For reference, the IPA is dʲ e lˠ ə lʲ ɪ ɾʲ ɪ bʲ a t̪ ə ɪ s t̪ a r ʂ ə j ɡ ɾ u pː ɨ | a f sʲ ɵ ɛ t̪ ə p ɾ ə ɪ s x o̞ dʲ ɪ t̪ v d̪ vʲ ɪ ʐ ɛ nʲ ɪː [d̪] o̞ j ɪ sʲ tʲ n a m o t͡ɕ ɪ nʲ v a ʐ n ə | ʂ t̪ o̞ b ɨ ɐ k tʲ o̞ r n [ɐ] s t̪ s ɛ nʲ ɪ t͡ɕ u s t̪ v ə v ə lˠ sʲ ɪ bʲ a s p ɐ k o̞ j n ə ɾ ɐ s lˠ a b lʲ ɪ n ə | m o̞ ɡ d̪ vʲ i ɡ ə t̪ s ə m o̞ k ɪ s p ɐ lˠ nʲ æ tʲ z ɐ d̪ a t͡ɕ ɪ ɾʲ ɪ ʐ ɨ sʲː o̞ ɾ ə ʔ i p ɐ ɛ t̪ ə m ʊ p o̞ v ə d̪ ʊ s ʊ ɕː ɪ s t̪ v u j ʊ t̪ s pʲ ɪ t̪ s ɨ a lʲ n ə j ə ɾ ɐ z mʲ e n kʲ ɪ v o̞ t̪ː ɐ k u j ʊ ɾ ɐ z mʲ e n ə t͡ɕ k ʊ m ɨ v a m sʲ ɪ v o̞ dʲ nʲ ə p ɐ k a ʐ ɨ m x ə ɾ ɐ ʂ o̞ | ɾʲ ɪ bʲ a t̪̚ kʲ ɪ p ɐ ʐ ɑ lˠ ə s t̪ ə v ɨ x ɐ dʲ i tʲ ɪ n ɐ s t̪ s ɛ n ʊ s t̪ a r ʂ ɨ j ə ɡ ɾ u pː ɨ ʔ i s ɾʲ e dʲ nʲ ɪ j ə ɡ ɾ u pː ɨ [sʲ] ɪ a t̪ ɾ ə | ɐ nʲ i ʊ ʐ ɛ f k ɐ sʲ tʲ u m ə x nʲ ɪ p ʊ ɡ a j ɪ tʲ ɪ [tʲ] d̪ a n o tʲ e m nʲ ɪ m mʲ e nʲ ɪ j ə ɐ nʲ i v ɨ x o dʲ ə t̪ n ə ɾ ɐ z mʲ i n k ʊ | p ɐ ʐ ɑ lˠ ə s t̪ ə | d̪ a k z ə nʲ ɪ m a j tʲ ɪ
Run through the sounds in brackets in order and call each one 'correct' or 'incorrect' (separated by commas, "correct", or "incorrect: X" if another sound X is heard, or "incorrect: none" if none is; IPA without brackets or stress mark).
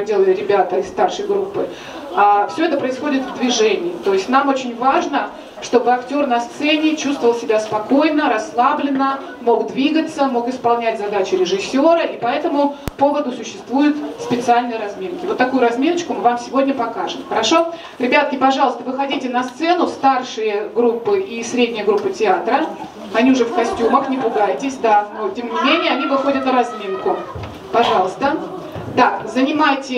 incorrect: t̪, correct, incorrect: tʲ, incorrect: sʲ